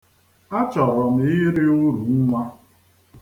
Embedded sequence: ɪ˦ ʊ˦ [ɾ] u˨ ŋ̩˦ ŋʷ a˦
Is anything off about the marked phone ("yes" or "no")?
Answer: no